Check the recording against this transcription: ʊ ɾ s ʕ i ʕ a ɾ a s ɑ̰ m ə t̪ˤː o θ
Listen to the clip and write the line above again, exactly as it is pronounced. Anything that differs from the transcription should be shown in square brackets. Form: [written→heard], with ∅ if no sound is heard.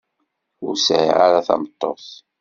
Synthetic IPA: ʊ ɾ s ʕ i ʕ a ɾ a [s→θ] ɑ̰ m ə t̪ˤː o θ